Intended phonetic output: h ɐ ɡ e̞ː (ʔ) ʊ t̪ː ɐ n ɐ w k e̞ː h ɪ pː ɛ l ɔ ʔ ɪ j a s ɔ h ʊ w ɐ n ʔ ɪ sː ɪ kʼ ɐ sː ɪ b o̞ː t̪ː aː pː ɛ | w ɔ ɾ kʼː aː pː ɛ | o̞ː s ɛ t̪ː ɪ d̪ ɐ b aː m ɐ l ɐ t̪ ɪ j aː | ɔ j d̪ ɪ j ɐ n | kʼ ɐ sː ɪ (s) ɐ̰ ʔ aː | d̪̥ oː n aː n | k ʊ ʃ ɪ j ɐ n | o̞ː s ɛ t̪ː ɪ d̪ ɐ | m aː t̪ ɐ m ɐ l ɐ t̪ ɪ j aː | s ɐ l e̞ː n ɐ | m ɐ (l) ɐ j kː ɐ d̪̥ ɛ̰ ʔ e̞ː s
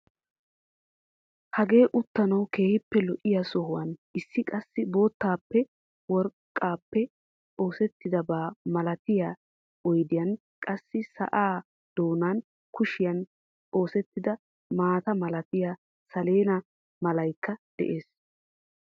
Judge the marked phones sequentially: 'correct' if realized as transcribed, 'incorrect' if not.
correct, correct, correct

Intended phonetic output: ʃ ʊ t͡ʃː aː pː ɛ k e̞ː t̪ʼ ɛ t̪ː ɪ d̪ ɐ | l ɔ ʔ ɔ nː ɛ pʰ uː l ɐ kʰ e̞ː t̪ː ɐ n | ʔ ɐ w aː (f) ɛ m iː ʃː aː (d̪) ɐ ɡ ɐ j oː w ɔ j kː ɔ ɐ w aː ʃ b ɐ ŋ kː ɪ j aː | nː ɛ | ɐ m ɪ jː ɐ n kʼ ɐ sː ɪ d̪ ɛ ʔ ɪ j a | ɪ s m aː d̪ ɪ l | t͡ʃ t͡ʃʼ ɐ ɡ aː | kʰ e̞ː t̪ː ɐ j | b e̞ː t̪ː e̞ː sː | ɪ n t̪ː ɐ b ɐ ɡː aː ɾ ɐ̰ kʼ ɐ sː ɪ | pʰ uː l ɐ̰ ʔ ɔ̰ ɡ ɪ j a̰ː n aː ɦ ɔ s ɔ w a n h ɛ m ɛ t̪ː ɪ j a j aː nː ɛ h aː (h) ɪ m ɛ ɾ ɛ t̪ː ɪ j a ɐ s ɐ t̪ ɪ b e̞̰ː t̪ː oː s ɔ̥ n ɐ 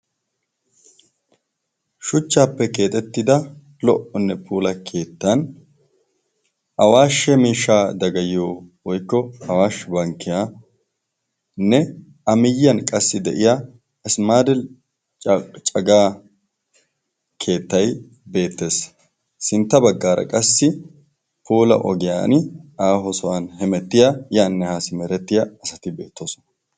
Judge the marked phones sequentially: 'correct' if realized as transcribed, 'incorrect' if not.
incorrect: ʃ, correct, incorrect: s

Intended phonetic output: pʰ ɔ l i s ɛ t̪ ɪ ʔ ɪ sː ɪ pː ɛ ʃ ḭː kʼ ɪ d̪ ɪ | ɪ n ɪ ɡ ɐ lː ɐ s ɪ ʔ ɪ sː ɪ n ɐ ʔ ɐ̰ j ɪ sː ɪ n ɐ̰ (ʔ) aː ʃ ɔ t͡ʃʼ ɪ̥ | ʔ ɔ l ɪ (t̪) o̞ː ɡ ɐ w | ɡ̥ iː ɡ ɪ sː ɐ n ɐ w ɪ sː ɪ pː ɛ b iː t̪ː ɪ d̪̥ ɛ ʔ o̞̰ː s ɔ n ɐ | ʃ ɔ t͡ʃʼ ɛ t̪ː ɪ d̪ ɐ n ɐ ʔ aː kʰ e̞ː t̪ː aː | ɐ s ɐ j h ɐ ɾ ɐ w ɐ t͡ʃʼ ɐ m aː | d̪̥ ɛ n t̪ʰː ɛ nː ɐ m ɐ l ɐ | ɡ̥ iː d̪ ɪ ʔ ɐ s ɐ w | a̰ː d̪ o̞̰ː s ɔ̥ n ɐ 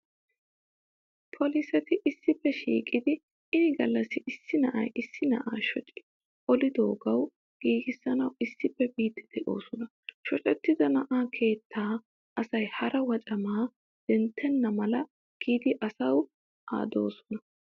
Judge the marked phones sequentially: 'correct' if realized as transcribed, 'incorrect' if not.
correct, incorrect: d̪

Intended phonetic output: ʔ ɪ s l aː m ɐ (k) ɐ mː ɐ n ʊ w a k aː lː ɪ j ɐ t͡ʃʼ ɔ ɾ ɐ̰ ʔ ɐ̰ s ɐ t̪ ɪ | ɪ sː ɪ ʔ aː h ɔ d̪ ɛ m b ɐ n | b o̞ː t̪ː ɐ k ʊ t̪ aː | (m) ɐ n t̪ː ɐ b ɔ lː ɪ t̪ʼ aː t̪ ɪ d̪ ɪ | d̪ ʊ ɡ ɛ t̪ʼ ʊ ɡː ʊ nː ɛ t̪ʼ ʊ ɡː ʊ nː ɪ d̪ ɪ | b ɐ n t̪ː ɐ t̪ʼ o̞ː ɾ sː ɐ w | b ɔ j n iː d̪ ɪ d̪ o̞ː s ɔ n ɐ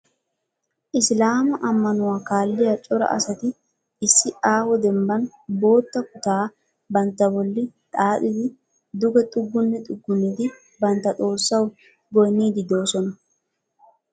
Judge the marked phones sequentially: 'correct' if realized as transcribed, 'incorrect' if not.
incorrect: ʔ, incorrect: b

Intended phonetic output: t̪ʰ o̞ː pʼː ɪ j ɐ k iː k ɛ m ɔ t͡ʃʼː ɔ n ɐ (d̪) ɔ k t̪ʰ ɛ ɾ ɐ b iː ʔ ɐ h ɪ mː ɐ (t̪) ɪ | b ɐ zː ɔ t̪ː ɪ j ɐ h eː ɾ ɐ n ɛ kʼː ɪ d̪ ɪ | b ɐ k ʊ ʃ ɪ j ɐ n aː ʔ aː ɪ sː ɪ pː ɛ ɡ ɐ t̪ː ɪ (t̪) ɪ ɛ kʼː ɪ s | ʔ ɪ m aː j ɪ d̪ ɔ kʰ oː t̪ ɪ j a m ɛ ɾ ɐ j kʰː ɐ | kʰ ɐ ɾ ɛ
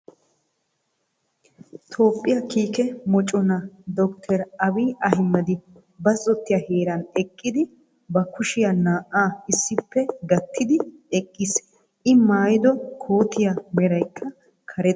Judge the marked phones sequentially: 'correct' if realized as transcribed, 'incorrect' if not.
correct, incorrect: d̪, incorrect: d̪

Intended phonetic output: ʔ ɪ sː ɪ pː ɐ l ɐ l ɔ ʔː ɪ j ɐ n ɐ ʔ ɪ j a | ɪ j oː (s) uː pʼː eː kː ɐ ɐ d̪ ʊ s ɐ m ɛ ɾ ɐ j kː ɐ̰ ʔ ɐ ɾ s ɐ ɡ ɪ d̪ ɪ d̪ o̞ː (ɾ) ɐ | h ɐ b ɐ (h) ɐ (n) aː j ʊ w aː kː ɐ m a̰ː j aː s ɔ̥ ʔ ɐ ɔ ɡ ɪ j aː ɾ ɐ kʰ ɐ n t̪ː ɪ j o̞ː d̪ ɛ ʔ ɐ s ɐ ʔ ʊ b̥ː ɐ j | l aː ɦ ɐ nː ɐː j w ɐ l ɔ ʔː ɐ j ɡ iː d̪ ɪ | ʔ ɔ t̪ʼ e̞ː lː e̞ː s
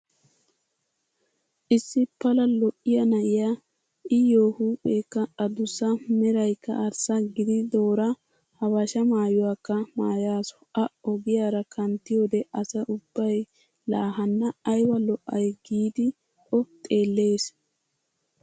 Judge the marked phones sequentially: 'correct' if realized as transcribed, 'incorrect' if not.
incorrect: h, correct, incorrect: ʃ, incorrect: m

